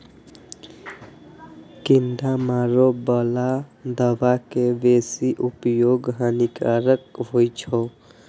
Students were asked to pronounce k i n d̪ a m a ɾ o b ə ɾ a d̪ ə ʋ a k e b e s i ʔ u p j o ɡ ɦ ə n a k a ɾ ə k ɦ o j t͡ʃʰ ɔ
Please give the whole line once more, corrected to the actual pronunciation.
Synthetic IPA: k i n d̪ a m a ɾ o b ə l a d̪ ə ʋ a k e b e s i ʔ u p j o ɡ ɦ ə n i k a ɾ ə k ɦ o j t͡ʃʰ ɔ